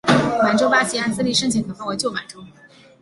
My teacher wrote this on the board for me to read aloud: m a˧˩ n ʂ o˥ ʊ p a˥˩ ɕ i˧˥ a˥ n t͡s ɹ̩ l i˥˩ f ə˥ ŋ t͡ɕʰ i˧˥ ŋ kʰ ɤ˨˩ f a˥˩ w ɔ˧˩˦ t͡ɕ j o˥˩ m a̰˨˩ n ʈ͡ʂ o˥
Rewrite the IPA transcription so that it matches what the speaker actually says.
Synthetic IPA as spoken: m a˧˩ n ʈ͡ʂ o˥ ʊ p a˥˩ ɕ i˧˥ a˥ n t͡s ɹ̩ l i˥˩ ʂ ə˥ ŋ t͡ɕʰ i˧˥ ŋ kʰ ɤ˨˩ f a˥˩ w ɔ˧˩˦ t͡ɕ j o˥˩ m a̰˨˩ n ʈ͡ʂ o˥

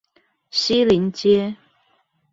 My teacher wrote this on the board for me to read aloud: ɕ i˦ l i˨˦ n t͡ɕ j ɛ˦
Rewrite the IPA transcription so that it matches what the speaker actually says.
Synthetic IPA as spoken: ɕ i˦ l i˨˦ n t͡ɕ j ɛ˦

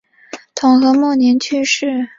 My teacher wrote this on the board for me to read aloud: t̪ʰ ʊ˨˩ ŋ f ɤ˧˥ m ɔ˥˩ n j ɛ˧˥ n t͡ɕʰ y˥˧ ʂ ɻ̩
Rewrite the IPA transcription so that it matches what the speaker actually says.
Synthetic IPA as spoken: t̪ʰ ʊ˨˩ ŋ x ɤ˧˥ m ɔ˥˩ n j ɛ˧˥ n t͡ɕʰ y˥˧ ʂ ɻ̩

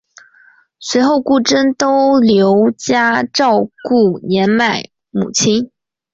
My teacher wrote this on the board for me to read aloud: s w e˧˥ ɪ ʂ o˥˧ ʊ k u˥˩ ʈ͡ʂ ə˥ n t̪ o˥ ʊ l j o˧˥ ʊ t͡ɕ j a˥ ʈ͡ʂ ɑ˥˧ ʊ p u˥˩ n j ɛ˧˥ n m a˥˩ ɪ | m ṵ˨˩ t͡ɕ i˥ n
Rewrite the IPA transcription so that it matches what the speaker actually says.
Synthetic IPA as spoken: s w e˧˥ ɪ x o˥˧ ʊ k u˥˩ ʈ͡ʂ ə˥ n t̪ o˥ ʊ l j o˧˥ ʊ t͡ɕ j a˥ ʈ͡ʂ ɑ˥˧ ʊ k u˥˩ n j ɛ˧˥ n m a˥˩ ɪ | m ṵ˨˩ t͡ɕʰ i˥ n

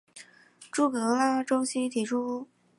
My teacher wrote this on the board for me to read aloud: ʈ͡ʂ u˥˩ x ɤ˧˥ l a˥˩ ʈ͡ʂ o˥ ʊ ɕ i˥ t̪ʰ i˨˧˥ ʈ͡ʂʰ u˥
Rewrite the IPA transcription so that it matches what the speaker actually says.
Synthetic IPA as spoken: ʈ͡ʂ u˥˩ k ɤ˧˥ l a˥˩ ʈ͡ʂ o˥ ʊ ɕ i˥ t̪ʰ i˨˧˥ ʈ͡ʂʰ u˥

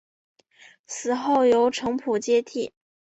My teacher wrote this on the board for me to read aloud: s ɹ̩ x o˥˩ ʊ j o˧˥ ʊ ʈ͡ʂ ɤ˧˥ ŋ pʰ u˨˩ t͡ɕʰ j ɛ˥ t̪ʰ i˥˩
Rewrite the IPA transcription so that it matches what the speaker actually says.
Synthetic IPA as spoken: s ɹ̩ x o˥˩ ʊ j o˧˥ ʊ ʈ͡ʂʰ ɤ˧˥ ŋ pʰ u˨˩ t͡ɕ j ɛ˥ t̪ʰ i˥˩

